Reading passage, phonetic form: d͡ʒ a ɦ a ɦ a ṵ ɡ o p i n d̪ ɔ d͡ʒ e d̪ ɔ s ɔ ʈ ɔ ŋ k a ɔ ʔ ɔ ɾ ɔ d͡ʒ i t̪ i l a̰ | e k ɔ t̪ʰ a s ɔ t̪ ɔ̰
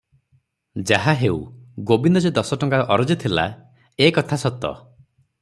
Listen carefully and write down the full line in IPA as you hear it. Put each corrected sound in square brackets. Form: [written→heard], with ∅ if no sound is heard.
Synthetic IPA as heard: d͡ʒ a ɦ a ɦ [a→e] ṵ ɡ o [p→b] i n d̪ ɔ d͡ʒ e d̪ ɔ s ɔ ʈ ɔ ŋ k a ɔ ʔ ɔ ɾ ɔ d͡ʒ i [t̪→t̪ʰ] i l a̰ | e k ɔ t̪ʰ a s ɔ t̪ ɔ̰

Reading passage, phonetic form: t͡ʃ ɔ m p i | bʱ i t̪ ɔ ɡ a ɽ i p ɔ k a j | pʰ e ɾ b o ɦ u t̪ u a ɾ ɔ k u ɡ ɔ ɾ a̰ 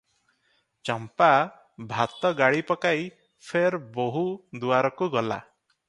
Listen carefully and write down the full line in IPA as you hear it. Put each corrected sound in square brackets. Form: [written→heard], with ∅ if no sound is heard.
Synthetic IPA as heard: t͡ʃ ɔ m p [i→a] | bʱ [i→a] t̪ ɔ ɡ a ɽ i p ɔ k a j | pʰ e ɾ b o ɦ u [t̪→d̪] u a ɾ ɔ k u ɡ ɔ [ɾ→l] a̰

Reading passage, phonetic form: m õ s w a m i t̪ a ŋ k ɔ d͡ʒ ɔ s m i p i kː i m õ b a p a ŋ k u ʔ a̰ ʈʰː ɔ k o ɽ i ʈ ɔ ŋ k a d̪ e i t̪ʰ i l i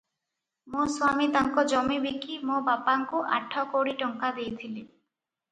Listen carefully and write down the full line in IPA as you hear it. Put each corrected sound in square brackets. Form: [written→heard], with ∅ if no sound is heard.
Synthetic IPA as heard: m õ s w a m i t̪ a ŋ k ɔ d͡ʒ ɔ [s→∅] m i [p→b] i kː i m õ b a p a ŋ k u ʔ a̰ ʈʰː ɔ k o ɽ i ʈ ɔ ŋ k a d̪ e [i→j] t̪ʰ i l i

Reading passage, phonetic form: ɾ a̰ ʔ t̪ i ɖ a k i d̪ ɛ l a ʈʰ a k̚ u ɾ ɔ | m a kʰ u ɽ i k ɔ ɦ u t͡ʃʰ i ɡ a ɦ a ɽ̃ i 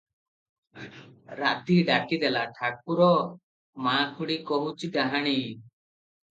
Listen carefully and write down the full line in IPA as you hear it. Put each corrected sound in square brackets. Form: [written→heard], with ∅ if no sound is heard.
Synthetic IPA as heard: ɾ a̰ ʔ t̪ i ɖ a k i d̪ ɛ l a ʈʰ a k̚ u ɾ ɔ | m a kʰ u ɽ i k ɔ ɦ u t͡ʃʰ i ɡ a ɦ a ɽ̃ i

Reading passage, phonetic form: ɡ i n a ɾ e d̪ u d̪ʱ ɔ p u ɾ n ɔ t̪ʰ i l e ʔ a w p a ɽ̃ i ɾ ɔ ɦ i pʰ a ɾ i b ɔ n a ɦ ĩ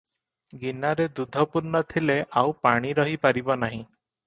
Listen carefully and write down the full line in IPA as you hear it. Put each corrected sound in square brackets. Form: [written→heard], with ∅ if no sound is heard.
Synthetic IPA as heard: ɡ i n a ɾ e d̪ u d̪ʱ ɔ p u ɾ n ɔ t̪ʰ i l e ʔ a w p a ɽ̃ i ɾ ɔ ɦ i [pʰ→p] a ɾ i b ɔ n a ɦ ĩ

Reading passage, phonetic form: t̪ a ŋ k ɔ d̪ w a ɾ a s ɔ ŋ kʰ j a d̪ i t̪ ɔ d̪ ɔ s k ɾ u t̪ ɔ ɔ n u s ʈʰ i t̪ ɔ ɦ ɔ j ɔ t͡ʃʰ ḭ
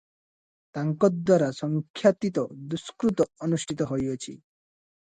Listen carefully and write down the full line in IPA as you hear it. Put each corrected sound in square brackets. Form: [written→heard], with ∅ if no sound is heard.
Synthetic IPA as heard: t̪ a ŋ k ɔ d̪ w a ɾ a s ɔ ŋ kʰ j a [d̪→t̪] i t̪ ɔ d̪ [ɔ→u] s k ɾ u t̪ ɔ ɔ n u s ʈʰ i t̪ ɔ ɦ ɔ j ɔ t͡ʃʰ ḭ

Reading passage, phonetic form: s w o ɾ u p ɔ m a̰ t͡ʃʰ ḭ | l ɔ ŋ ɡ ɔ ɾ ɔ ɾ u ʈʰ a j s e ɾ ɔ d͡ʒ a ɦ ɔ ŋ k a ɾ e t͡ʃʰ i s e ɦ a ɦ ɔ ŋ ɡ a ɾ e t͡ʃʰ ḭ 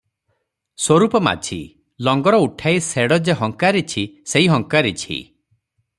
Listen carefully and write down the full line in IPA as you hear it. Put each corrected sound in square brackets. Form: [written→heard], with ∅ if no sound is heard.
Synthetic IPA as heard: s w o ɾ u p ɔ m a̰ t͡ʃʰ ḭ | l ɔ ŋ ɡ ɔ ɾ ɔ [ɾ→∅] u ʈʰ a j s e [ɾ→ɽ] ɔ d͡ʒ [a→e] ɦ ɔ ŋ k a ɾ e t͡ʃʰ i s e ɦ [a→i] ɦ ɔ ŋ [ɡ→k] a ɾ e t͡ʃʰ ḭ

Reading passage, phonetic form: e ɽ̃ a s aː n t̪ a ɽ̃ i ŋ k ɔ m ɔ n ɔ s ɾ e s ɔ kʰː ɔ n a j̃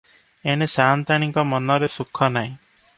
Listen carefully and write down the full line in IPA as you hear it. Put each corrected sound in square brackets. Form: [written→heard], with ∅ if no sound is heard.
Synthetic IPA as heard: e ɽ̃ [a→e] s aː n t̪ a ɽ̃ i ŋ k ɔ m ɔ n ɔ [s→∅] ɾ e s [ɔ→u] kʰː ɔ n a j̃

